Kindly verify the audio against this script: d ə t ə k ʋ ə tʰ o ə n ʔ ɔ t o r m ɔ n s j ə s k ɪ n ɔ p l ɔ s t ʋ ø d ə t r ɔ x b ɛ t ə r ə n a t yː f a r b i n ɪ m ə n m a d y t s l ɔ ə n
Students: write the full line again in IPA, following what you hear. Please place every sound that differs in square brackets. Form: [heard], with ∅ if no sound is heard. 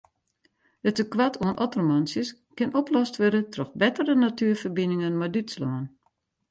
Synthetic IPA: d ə t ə k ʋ [a] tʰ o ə n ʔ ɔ t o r m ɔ n s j ə s k ɪ n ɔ p l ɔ s t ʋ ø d ə t r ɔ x b ɛ t ə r ə n a t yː f [ə] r b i n ɪ [ŋ] ə n m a d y t s l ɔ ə n